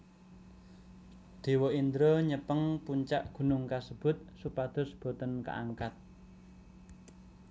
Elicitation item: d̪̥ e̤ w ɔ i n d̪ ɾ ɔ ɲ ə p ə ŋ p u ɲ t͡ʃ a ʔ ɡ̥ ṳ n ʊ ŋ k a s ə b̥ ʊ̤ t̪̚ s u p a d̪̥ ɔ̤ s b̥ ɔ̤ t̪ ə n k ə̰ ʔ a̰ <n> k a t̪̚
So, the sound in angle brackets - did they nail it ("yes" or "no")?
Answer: no